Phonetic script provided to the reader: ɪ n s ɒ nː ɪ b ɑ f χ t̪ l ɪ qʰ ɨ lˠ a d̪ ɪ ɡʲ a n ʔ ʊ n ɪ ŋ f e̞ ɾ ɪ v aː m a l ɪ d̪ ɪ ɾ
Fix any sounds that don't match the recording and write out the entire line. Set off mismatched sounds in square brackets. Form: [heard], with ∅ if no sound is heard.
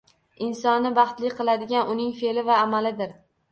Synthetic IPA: ɪ n s ɒ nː ɪ b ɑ [∅] χ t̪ l ɪ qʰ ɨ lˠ a d̪ ɪ ɡʲ a n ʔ ʊ n ɪ ŋ f e̞ [l] ɪ v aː m a l ɪ d̪ ɪ ɾ

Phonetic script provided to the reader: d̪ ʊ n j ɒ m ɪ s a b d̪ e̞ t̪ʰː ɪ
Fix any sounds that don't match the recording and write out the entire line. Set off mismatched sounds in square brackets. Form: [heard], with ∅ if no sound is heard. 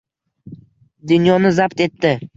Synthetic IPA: d̪ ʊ n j ɒ [n] ɪ [z] a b [t̪] e̞ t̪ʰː ɪ

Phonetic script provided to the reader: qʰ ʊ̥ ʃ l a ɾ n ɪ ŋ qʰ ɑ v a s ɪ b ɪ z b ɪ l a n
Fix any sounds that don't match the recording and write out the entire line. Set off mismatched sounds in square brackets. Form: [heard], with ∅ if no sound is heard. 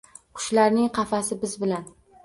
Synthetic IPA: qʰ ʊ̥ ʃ l a ɾ n ɪ ŋ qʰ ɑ [f] a s ɪ b ɪ z b ɪ l a n

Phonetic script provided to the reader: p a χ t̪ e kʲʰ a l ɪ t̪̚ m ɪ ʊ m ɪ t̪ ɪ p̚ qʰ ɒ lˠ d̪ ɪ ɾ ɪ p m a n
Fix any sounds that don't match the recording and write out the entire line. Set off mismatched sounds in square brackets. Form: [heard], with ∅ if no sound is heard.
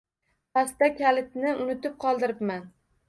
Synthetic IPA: p a [s] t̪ [a] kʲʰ a l ɪ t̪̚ [n] ɪ ʊ [n] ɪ t̪ ɪ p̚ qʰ ɒ lˠ d̪ ɪ ɾ ɪ p m a n

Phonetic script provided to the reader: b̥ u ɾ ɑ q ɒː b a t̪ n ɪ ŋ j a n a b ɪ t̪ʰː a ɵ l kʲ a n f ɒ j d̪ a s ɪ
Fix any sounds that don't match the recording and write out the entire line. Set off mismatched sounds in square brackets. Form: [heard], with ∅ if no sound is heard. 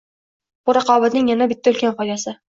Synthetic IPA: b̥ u ɾ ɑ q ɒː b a t̪ n ɪ ŋ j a n a b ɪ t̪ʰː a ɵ l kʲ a n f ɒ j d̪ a s ɪ

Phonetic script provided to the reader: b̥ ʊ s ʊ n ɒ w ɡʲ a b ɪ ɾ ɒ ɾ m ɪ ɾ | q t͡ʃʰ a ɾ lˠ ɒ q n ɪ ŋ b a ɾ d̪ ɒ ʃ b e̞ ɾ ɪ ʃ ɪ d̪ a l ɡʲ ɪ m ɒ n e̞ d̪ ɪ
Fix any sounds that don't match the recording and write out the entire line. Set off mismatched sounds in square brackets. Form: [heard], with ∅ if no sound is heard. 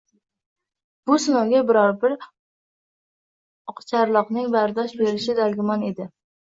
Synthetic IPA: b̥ ʊ s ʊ n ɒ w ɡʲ a b ɪ ɾ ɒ ɾ [b] ɪ ɾ | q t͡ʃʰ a ɾ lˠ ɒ q n ɪ ŋ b a ɾ d̪ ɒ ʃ b e̞ ɾ ɪ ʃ ɪ d̪ a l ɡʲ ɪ m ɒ n e̞ d̪ ɪ

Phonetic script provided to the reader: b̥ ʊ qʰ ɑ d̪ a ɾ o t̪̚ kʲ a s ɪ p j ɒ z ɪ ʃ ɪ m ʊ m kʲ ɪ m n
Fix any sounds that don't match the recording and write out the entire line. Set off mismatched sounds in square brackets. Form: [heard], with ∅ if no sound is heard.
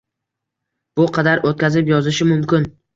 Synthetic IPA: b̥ ʊ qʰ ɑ d̪ a ɾ o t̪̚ kʲ a [z] ɪ p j ɒ z ɪ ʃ ɪ m ʊ m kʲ ɪ [∅] n

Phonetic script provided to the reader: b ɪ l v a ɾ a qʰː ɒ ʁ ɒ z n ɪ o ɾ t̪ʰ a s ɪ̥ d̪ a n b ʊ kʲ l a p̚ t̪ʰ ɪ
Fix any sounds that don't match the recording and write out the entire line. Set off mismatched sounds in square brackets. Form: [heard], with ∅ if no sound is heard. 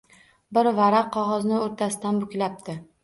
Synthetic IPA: b ɪ [ɾ] v a ɾ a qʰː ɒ ʁ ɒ z n ɪ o ɾ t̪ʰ a s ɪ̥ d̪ a n b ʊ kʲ l a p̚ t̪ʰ ɪ

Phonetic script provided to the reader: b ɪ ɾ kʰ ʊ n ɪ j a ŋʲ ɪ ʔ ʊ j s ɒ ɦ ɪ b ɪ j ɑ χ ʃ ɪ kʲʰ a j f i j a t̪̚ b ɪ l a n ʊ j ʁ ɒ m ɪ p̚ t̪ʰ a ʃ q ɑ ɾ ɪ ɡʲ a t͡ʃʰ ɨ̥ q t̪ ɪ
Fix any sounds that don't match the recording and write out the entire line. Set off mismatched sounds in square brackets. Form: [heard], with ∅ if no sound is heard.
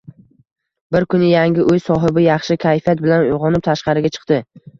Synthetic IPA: b ɪ ɾ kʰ ʊ n ɪ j a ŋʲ ɪ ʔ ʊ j s ɒ ɦ ɪ b ɪ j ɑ χ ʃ ɪ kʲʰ a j f i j a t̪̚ b ɪ l a n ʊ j ʁ ɒ [n] ɪ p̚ t̪ʰ a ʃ q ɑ ɾ ɪ ɡʲ a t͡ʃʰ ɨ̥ q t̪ ɪ

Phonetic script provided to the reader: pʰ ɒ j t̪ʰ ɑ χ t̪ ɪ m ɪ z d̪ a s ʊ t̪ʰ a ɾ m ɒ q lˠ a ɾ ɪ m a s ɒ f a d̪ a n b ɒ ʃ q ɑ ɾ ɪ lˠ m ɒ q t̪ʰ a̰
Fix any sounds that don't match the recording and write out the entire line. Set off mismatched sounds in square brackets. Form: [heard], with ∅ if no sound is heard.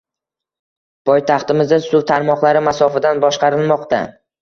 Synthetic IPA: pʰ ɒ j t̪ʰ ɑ χ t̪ ɪ m ɪ z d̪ a s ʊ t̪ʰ a ɾ m ɒ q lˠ a ɾ ɪ m a s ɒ f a d̪ a n b ɒ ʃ q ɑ ɾ ɪ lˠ m ɒ q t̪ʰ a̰

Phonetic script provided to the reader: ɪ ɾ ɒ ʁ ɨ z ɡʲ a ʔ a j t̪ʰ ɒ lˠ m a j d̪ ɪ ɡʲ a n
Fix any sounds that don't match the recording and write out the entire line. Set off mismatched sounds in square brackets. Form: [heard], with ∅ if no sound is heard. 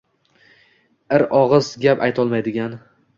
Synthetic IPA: ɪ ɾ ɒ ʁ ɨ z ɡʲ a [p] a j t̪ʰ ɒ lˠ m a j d̪ ɪ ɡʲ a n

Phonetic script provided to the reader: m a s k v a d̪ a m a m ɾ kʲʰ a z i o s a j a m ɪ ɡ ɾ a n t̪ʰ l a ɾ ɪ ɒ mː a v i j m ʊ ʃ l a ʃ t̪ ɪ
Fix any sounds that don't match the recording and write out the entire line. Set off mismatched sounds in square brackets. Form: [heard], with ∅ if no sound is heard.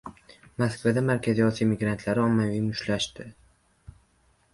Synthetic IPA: m a s k v a d̪ a m a [∅] ɾ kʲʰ a z i [ɒ] s [i] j a m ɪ ɡ ɾ a n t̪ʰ l a ɾ ɪ ɒ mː a v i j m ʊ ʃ l a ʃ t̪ ɪ

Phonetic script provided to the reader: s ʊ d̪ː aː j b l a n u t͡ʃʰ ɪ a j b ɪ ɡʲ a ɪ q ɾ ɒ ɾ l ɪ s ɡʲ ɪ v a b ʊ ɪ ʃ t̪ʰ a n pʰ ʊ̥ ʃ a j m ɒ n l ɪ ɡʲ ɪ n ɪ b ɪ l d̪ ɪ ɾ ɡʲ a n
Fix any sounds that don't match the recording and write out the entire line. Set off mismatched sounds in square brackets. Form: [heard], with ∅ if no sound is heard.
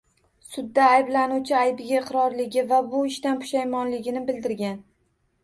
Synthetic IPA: s ʊ d̪ː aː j b l a n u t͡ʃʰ ɪ a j b ɪ ɡʲ a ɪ q ɾ ɒ ɾ l ɪ [∅] ɡʲ ɪ v a b ʊ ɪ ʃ [t̪] a n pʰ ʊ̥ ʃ a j m ɒ n l ɪ ɡʲ ɪ n ɪ b ɪ l d̪ ɪ ɾ ɡʲ a n

